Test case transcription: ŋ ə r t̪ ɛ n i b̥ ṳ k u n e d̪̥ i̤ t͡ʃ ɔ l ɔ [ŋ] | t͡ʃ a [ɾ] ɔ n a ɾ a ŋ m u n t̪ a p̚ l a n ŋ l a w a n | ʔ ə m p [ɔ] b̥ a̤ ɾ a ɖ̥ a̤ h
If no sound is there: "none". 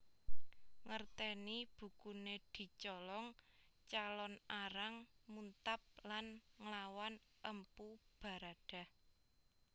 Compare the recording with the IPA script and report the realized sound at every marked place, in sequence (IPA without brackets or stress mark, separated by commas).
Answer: ŋ, l, u